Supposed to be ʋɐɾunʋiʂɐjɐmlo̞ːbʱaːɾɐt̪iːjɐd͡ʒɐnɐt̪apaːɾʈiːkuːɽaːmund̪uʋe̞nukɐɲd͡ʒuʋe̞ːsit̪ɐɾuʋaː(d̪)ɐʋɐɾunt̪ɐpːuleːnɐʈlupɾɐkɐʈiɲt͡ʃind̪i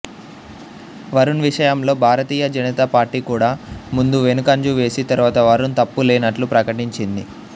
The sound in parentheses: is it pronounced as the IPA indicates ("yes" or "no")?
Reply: no